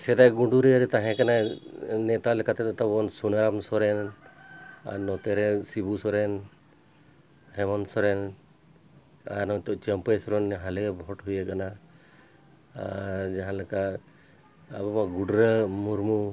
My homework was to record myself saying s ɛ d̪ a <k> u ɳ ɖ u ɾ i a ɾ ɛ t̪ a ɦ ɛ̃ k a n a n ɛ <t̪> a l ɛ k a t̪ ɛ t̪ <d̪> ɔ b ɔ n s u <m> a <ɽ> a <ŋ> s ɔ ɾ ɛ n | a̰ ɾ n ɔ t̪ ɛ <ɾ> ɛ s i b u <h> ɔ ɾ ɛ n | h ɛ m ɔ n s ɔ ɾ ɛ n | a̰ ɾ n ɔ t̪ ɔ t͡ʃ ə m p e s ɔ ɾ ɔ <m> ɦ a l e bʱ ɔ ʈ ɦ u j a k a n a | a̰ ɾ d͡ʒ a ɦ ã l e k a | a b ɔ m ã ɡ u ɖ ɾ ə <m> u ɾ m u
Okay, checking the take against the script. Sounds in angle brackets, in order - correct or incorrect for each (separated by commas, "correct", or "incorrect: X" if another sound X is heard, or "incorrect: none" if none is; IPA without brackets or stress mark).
incorrect: ɡ, correct, incorrect: t̪, incorrect: n, incorrect: ɾ, incorrect: m, correct, incorrect: s, incorrect: n, correct